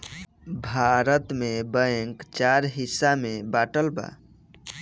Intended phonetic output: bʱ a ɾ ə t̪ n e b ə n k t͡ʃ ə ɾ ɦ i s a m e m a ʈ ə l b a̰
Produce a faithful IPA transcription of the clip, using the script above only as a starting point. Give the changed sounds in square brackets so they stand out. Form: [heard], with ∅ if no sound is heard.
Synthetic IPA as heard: bʱ a ɾ ə t̪ [m] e b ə [ŋ] k t͡ʃ [a] ɾ ɦ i s a m e [b] a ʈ ə l b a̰